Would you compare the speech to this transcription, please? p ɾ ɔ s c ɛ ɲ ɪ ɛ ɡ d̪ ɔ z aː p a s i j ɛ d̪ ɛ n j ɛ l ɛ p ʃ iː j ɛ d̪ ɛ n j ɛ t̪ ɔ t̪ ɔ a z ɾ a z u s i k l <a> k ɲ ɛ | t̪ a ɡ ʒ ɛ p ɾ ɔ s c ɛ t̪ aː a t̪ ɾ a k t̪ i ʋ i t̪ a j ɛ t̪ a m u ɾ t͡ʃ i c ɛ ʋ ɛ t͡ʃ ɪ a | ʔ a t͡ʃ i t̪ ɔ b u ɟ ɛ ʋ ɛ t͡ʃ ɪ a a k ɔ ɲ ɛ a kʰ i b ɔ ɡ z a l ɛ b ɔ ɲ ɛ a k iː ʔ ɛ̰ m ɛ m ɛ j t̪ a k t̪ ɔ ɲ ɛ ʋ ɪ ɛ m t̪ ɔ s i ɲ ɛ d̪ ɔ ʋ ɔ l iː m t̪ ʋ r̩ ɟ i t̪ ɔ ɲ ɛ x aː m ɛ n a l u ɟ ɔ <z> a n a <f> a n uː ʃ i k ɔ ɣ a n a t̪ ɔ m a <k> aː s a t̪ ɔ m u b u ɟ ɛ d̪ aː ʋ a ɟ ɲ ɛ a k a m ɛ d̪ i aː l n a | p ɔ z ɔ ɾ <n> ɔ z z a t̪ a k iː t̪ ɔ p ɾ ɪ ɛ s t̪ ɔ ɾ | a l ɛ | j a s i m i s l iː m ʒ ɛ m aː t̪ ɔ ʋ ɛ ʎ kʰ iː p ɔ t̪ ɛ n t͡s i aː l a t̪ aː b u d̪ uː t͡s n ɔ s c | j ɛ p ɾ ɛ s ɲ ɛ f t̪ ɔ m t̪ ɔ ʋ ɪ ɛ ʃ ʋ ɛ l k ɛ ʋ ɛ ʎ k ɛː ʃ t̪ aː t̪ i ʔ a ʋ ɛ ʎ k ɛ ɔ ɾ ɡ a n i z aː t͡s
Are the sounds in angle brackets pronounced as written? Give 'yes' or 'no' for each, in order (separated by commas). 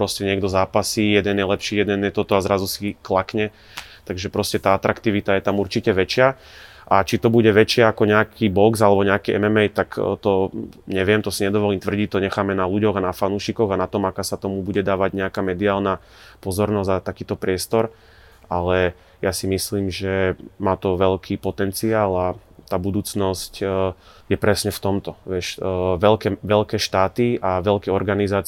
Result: yes, no, yes, yes, yes